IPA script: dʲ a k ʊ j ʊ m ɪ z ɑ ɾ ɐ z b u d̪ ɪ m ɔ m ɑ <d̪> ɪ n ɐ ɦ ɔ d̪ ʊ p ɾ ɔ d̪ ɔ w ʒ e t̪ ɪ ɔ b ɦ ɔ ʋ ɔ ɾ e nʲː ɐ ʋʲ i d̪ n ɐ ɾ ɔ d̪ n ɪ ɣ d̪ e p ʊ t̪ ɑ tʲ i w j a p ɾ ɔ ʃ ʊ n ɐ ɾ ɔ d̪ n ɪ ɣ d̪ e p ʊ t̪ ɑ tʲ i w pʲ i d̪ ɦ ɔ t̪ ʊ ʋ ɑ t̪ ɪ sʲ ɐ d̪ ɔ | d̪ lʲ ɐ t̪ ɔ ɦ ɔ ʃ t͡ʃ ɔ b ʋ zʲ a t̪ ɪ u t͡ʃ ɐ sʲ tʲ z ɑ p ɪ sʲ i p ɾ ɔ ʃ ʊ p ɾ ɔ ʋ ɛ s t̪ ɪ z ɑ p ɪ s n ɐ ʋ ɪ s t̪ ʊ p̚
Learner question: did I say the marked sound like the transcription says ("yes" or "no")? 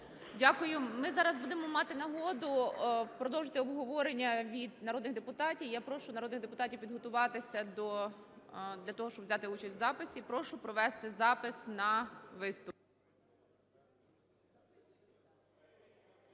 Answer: no